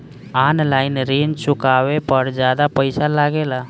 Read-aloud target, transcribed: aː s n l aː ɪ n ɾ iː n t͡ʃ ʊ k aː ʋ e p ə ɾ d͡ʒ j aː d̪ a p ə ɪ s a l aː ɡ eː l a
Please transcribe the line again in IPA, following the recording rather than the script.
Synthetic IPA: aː n l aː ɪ n ɾ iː n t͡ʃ ʊ k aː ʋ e p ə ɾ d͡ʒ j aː d̪ a p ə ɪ s a l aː ɡ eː l a